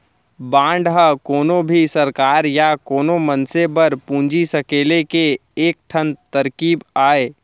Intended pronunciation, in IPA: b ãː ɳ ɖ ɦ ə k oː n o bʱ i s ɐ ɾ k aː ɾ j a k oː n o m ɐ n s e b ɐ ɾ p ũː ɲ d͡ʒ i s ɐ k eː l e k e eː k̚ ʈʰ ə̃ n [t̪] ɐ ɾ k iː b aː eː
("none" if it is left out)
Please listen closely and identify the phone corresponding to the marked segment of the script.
t̪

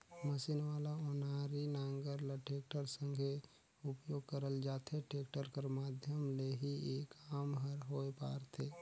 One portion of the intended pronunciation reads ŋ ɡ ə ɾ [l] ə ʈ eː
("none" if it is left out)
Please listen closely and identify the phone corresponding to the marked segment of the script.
l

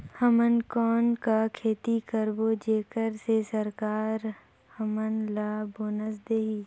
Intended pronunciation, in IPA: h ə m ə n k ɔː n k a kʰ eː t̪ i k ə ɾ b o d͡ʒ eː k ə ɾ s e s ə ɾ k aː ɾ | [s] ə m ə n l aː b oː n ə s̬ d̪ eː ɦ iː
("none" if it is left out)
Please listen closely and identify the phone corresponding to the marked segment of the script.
h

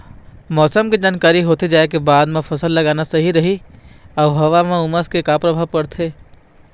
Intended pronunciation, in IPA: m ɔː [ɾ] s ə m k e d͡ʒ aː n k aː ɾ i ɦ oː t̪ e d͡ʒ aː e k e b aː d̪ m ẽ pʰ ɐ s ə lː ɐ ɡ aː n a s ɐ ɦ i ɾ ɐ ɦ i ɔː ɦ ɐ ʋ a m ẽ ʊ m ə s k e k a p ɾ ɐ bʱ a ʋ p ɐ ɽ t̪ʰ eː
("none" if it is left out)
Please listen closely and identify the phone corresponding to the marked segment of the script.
none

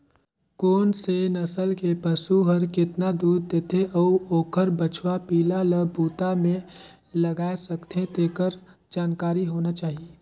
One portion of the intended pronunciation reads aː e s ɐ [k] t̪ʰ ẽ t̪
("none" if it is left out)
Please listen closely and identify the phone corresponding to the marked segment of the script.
k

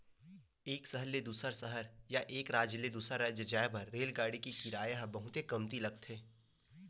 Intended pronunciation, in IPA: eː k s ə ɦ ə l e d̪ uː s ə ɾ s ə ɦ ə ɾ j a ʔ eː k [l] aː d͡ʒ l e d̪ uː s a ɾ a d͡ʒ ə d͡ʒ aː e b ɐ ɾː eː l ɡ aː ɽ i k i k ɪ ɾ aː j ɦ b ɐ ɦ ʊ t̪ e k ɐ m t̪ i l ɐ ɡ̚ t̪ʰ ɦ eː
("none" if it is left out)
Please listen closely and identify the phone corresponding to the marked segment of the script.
ɾ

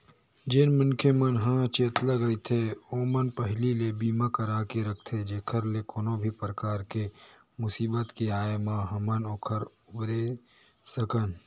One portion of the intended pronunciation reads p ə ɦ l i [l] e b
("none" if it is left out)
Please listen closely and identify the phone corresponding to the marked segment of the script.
l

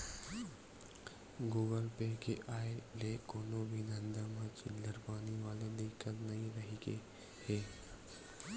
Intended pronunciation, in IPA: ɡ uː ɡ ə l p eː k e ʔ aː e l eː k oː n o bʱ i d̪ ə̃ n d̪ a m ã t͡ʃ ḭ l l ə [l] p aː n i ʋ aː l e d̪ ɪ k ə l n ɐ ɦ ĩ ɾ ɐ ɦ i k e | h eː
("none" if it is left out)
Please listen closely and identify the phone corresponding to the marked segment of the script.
ɾ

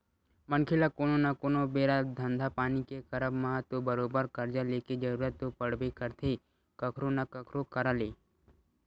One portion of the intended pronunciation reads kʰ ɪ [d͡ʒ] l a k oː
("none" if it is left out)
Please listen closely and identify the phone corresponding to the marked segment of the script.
none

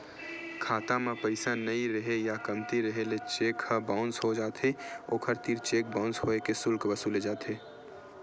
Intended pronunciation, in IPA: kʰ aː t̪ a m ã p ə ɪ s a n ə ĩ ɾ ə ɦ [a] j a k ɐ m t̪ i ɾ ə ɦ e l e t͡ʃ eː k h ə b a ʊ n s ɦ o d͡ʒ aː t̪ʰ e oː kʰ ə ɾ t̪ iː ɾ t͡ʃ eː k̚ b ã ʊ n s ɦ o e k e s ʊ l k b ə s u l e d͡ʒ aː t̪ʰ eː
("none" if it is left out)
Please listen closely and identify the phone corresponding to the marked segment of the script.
e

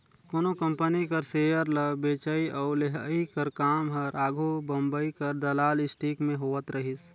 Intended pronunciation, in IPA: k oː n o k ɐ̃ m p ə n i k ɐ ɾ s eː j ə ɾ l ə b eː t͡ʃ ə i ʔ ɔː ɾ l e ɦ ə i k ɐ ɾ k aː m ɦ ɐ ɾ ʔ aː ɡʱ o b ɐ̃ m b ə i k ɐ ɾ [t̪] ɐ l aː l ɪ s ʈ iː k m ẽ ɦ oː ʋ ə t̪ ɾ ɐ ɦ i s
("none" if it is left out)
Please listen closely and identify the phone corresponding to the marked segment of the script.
d̪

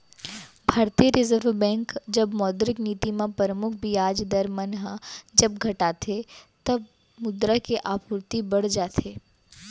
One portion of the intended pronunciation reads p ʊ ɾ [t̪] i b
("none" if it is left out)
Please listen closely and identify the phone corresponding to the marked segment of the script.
t̪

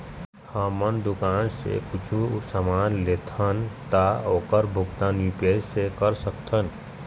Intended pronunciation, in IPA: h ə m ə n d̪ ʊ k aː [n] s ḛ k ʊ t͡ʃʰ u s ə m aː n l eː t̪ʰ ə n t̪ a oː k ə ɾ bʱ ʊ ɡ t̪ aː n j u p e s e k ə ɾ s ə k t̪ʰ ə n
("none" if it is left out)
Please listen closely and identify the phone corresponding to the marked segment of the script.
n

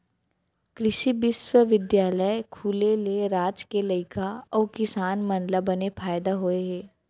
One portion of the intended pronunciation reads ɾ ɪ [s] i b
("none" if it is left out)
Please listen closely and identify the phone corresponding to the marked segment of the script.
ʃ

